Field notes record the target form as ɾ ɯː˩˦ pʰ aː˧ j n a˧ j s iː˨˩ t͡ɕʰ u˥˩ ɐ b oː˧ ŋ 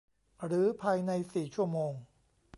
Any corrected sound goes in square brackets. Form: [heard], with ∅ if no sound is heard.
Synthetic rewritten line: ɾ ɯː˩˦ pʰ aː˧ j n a˧ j s iː˨˩ t͡ɕʰ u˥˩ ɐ [m] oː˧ ŋ

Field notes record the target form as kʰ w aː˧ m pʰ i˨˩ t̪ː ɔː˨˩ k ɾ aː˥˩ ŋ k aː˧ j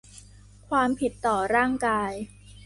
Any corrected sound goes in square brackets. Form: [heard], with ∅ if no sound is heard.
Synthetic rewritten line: kʰ w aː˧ m pʰ i˨˩ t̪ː ɔː˨˩ [∅] ɾ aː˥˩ ŋ k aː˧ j

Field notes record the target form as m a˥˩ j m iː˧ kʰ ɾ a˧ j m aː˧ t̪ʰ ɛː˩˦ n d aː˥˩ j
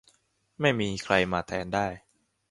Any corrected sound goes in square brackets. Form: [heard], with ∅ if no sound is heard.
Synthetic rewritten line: m a˥˩ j m iː˧ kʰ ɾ a˧ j m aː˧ t̪ʰ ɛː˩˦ n d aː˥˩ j

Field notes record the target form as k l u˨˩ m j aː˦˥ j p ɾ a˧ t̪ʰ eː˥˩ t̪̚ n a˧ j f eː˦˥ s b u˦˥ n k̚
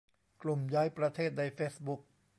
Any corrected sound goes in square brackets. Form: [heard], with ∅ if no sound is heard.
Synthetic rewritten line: k l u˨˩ m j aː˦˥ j p ɾ a˧ t̪ʰ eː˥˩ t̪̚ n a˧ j f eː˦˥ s b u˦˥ [∅] k̚

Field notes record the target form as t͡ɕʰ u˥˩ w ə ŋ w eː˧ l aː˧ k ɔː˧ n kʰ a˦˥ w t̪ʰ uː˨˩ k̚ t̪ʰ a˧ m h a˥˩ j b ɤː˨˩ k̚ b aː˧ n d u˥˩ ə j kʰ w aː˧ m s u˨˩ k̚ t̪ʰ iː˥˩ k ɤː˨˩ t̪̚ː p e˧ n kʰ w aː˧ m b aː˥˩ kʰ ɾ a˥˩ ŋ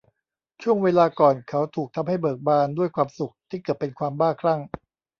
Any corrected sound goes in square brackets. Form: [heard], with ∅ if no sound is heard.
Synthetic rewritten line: t͡ɕʰ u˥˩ [∅] ə ŋ w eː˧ l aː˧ k [ɔː˨˩] n kʰ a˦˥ w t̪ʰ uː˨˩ k̚ t̪ʰ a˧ m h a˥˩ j b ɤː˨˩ k̚ b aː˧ n d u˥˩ ə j kʰ w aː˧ m s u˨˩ k̚ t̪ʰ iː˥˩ k ɤː˨˩ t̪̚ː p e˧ n kʰ w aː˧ m b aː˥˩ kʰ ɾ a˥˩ ŋ

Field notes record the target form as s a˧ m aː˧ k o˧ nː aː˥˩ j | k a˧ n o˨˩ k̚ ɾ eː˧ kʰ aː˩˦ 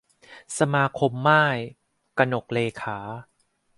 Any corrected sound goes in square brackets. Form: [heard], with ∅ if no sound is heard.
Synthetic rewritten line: s a˧ m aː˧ [kʰ] o˧ [mː] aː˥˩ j | k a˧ n o˨˩ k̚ [l] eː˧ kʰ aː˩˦

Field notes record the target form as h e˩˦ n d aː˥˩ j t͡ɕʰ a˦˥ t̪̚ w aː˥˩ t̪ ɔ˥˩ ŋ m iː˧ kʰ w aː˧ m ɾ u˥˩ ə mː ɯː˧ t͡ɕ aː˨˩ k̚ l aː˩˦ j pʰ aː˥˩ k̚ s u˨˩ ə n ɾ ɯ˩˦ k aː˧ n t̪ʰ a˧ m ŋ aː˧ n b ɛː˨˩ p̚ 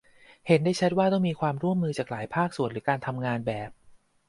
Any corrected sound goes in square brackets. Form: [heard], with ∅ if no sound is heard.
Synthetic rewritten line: h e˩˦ n d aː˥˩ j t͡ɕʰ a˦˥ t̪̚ w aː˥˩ t̪ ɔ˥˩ ŋ m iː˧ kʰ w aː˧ m ɾ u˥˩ ə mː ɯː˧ t͡ɕ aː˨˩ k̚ l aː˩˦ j pʰ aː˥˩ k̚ s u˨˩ ə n ɾ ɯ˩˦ k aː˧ n t̪ʰ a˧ m ŋ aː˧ n b ɛː˨˩ p̚

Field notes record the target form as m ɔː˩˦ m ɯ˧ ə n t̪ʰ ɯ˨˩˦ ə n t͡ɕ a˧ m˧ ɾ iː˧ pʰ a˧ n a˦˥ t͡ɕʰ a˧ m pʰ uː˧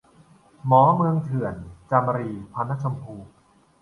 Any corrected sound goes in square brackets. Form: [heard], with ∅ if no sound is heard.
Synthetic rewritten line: m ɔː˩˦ m ɯ˧ ə [ŋ] t̪ʰ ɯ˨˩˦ ə n t͡ɕ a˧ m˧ ɾ iː˧ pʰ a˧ n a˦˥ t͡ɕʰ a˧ m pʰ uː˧

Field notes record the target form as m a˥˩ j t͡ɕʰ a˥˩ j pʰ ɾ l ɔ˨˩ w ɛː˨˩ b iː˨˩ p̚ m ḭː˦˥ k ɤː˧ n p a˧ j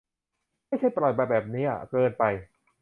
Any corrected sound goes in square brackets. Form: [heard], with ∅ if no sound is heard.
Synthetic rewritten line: m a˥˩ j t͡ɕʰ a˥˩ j [p] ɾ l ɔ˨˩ [b] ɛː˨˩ b [ɛː˨˩] p̚ [n] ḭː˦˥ k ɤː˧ n p a˧ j

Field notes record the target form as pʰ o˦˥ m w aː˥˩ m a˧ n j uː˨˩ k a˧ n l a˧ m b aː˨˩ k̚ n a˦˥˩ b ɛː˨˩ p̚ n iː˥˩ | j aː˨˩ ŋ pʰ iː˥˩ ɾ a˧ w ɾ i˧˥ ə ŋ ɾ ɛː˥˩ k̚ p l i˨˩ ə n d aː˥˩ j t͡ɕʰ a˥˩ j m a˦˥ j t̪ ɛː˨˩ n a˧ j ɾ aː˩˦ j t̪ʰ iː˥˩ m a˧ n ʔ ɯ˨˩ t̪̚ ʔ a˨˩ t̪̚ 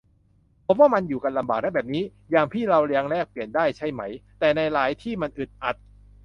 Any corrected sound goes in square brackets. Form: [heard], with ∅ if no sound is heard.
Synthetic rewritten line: pʰ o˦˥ m w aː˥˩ m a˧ n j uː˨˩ k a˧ n l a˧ m b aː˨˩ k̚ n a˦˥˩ b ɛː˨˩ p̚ n [iː˦˥] | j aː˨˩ ŋ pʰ iː˥˩ ɾ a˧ w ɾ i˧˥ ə ŋ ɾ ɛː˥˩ k̚ p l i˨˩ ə n d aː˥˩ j t͡ɕʰ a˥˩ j m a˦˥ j t̪ ɛː˨˩ n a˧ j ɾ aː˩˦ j t̪ʰ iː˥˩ m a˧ n ʔ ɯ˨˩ t̪̚ ʔ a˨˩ t̪̚

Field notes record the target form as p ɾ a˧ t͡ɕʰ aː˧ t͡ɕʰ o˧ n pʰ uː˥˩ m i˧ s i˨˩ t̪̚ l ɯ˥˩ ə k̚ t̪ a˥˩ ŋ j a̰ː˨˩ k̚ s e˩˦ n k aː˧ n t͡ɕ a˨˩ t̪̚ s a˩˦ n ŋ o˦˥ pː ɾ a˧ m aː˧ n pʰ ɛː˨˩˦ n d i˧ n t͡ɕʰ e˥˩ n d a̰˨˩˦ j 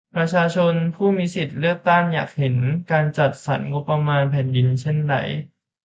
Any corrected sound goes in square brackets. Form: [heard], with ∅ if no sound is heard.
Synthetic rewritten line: p ɾ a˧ t͡ɕʰ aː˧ t͡ɕʰ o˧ n pʰ uː˥˩ m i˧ s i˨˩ t̪̚ l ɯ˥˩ ə k̚ t̪ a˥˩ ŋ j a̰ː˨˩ k̚ [h] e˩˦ n k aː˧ n t͡ɕ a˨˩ t̪̚ s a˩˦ n ŋ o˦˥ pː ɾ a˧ m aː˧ n pʰ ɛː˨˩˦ n d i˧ n t͡ɕʰ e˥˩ n d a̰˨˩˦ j

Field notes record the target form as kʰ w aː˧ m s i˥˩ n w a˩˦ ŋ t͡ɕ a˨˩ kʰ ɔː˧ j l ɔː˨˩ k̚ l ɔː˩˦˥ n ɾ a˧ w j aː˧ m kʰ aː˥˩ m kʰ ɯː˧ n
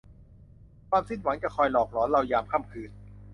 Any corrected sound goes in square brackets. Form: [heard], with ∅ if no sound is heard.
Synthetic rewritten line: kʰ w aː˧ m s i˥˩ n w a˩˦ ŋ t͡ɕ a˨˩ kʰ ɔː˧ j l ɔː˨˩ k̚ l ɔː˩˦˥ n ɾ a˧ w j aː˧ m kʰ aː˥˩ m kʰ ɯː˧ n

